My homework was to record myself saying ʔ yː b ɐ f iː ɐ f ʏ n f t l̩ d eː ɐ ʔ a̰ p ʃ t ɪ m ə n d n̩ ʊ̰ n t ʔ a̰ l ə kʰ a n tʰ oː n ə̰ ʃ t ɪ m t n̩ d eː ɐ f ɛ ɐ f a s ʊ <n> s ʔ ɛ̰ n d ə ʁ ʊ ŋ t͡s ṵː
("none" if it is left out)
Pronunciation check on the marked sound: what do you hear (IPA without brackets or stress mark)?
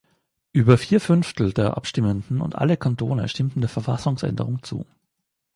ŋ